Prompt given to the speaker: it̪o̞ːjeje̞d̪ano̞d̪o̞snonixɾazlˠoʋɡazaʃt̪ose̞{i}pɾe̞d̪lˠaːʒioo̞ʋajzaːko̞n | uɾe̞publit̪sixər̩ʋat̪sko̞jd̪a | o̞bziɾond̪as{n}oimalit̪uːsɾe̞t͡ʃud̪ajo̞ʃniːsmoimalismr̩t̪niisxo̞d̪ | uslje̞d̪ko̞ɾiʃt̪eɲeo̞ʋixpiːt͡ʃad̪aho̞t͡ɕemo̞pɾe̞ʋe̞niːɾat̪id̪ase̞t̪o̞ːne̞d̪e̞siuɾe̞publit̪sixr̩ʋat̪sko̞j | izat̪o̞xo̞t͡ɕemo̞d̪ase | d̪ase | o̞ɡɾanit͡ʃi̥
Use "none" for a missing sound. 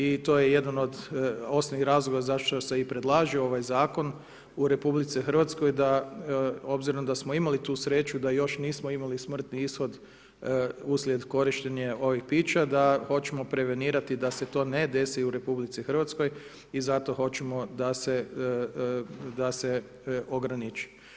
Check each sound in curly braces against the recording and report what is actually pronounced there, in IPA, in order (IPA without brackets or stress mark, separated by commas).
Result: i, m